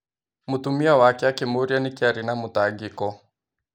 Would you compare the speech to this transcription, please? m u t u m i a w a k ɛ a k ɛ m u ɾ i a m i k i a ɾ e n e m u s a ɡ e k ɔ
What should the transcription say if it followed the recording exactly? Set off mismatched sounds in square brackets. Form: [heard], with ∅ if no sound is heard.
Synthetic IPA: m u t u m i a w a k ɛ a k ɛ m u ɾ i a [n] i k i a ɾ [i] n [a] m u [t] a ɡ [i] k ɔ